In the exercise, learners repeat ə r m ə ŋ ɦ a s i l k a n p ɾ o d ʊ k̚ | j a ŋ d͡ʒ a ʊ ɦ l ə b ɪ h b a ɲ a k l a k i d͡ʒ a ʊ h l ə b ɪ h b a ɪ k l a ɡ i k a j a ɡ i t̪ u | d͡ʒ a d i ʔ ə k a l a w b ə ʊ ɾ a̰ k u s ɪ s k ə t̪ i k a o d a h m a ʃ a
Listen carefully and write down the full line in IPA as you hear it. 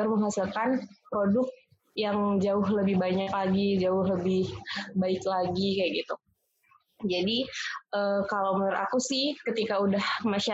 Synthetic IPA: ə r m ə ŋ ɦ a s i l k a n p ɾ o d ʊ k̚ | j a ŋ d͡ʒ a ʊ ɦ l ə b ɪ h b a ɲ a k l a ɡ i d͡ʒ a ʊ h l ə b ɪ h b a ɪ k l a ɡ i k a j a ɡ i t̪ u | d͡ʒ a d i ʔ ə k a l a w m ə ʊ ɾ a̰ k u s ɪ h k ə t̪ i k a u d a h m a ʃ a